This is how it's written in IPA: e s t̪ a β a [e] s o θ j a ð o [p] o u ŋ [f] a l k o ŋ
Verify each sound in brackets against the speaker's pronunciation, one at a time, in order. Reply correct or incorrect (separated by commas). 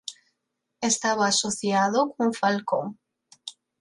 incorrect, incorrect, correct